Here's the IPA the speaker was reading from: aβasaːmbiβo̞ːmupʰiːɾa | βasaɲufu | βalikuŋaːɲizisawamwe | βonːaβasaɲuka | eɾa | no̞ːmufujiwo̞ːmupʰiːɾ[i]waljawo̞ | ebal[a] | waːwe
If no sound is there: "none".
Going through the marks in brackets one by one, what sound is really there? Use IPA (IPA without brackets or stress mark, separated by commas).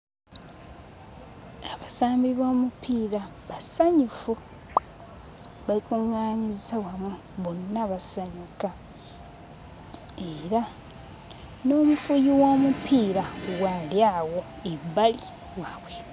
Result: a, i